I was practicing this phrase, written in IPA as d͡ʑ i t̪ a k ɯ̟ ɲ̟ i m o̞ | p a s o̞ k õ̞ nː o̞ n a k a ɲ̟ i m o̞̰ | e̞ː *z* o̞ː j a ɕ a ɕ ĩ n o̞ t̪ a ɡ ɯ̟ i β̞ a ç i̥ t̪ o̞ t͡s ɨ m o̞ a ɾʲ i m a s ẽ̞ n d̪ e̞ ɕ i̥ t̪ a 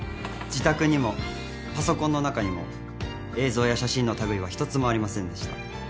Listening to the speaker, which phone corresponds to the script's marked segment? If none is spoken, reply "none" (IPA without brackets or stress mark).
z